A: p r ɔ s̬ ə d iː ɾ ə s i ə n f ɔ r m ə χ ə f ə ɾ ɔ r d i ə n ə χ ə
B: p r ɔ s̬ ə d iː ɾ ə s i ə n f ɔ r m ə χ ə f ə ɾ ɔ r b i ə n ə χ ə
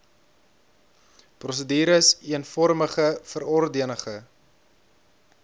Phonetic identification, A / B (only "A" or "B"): A